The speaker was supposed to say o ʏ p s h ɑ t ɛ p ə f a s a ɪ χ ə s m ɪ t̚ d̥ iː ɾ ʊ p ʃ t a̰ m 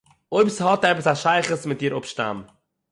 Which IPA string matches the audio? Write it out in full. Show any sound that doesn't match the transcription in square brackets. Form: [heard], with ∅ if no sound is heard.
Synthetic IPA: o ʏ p s h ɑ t ɛ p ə [s] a [ʃ] a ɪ χ ə s m ɪ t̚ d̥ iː ɾ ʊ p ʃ t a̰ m